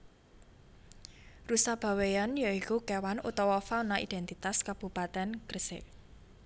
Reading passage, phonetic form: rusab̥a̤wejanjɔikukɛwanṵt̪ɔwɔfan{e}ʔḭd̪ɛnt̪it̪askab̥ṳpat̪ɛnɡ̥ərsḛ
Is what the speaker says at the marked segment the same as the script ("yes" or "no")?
no